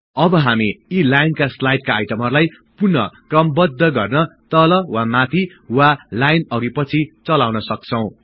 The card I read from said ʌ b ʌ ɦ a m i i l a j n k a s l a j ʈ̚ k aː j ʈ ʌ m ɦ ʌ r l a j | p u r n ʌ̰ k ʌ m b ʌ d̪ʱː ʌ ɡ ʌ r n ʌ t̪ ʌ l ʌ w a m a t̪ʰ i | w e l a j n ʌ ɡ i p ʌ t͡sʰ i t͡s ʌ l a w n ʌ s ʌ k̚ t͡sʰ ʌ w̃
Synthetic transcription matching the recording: ʌ b ʌ ɦ a m i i l a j n k a s l a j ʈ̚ k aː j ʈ ʌ m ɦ ʌ r l a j | p u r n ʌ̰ k ʌ m b ʌ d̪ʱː ʌ ɡ ʌ r n ʌ t̪ ʌ l ʌ w a m a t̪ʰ i | w a l a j n ʌ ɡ i p ʌ t͡sʰ i t͡s ʌ l a w n ʌ s ʌ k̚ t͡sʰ ʌ w̃